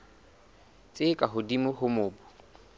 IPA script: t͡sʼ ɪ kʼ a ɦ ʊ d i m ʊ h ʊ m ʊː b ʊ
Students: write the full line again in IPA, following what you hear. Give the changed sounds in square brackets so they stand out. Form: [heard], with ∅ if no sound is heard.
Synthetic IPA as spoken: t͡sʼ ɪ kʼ a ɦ ʊ d i m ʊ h ʊ m ʊː b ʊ